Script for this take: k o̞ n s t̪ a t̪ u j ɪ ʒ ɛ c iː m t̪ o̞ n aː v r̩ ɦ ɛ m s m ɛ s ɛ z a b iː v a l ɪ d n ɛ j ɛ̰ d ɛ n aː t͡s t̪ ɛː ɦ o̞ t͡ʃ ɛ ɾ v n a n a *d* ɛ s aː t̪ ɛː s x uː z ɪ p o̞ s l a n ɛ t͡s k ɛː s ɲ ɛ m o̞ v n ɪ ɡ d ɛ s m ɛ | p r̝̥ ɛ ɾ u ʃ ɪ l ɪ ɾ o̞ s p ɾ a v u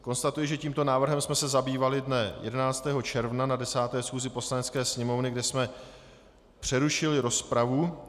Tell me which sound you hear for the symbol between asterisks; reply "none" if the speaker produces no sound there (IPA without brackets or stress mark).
d